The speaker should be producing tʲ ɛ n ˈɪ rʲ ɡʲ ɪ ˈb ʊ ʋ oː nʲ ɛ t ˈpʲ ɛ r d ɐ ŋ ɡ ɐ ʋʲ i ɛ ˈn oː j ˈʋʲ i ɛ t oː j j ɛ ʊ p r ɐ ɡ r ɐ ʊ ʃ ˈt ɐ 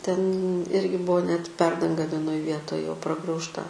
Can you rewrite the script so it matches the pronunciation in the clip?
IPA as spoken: tʲ ɛ n ˈɪ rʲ ɡʲ ɪ ˈb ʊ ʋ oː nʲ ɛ t ˈpʲ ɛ r d ɐ ŋ ɡ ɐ ʋʲ i ɛ ˈn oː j ˈʋʲ i ɛ t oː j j ɛ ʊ p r ɐ ɡ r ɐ ʊ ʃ ˈt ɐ